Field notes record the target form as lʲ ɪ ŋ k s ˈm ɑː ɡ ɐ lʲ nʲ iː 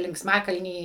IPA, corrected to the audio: lʲ ɪ ŋ k s ˈm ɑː k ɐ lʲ nʲ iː